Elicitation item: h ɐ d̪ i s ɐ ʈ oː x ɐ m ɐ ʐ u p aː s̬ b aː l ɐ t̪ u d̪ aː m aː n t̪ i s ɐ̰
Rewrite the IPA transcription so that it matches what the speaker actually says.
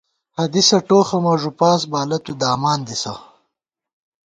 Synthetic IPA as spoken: h ɐ d̪ i s ɐ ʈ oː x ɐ m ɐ ʐ u p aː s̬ b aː l ɐ t̪ u d̪ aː m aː n d̪ i s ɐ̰